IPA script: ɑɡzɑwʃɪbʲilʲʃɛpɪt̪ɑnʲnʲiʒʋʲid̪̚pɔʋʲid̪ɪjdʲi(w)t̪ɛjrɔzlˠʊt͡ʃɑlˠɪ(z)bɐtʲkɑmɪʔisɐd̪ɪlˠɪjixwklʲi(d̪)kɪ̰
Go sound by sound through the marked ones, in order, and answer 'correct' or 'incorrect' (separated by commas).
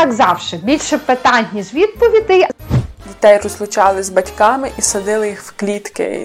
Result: incorrect, correct, incorrect